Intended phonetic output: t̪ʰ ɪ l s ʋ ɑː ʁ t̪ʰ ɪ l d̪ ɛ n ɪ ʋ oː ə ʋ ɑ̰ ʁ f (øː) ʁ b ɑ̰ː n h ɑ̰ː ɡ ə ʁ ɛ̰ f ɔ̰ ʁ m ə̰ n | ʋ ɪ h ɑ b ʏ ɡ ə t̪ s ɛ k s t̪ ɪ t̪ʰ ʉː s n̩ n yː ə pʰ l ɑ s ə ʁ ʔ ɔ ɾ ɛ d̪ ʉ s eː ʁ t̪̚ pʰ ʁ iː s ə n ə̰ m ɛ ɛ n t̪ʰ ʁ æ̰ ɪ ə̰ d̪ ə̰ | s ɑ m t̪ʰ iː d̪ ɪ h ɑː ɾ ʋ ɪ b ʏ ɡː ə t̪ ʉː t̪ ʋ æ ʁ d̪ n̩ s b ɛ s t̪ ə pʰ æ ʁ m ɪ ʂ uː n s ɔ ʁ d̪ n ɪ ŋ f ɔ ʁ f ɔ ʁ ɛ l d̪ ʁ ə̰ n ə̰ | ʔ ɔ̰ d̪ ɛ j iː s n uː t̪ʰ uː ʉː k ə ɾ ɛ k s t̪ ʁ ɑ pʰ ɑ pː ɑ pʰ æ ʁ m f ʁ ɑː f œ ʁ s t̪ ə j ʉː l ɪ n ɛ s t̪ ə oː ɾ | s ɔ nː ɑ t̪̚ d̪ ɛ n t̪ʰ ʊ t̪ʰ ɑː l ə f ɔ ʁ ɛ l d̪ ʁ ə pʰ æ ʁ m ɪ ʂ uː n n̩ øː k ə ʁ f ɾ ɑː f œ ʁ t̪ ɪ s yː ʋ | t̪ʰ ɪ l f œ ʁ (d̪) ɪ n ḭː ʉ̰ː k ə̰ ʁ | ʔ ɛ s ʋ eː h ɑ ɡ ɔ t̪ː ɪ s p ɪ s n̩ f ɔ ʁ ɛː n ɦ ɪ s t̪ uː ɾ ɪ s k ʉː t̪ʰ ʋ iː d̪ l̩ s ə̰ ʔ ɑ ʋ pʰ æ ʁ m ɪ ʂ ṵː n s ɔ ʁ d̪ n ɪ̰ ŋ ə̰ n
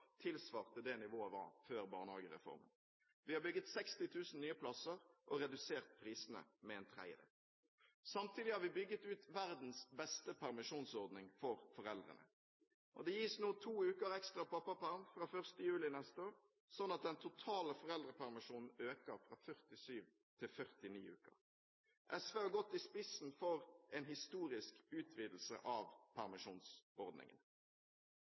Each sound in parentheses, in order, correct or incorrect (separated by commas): correct, incorrect